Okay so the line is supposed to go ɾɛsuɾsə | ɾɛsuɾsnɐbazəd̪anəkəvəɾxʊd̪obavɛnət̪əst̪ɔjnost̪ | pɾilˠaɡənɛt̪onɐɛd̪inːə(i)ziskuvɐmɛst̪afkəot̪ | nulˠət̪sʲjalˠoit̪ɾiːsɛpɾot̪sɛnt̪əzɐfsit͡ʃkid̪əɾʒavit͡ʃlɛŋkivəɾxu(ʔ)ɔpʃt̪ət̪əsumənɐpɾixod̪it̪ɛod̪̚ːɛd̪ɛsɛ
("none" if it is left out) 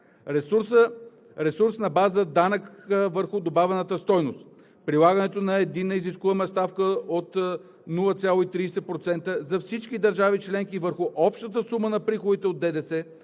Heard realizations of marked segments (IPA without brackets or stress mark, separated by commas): i, ʔ